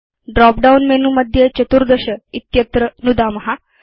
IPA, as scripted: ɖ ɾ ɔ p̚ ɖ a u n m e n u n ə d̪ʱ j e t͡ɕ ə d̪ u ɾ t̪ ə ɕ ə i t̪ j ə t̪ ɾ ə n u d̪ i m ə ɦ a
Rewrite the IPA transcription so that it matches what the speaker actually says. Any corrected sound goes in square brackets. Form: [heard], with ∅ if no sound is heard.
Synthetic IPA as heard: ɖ ɾ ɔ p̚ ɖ a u n m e n u [m] ə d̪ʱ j e t͡ɕ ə [t̪] u ɾ [d̪] ə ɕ ə i t̪ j ə t̪ ɾ ə n u d̪ [a] m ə ɦ a